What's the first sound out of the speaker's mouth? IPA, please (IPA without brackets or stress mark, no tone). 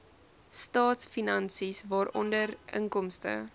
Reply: s